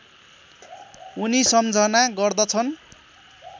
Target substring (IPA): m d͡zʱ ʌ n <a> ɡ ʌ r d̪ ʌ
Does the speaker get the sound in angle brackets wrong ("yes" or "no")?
no